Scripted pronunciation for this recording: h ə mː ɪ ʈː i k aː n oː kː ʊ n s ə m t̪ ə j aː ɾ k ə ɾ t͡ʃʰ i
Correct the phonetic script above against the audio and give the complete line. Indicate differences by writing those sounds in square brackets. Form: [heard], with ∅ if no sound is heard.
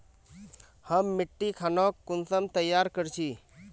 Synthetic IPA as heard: h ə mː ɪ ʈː i [kʰ] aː n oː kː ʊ n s ə m t̪ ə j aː ɾ k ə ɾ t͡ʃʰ i